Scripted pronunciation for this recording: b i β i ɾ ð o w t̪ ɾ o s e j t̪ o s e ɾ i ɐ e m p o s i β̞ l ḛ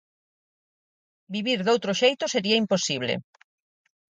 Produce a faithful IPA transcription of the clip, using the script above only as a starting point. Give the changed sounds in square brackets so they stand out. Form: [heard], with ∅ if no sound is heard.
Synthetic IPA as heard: b i β i ɾ ð o w t̪ ɾ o [ʃ] e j t̪ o s e ɾ i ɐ [i] m p o s i β̞ l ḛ